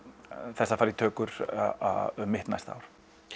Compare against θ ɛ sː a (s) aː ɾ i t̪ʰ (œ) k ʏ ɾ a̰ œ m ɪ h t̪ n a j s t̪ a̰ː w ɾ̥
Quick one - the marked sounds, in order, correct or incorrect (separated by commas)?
incorrect, incorrect